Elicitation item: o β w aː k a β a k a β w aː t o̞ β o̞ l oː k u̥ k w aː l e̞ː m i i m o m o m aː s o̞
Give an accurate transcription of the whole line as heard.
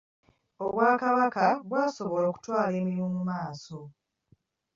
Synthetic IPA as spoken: o β w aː k a β a k a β w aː s o̞ β o̞ l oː k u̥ t w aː l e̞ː m i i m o m u m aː s o̞